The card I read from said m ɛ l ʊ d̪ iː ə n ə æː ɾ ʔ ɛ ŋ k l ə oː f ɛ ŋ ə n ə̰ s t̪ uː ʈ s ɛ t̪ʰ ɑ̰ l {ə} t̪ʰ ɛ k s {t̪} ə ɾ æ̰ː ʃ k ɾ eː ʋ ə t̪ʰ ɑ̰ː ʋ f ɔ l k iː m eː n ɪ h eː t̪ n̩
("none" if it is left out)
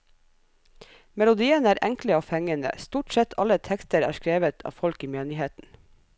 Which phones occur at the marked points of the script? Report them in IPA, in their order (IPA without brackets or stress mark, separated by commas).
ə, t̪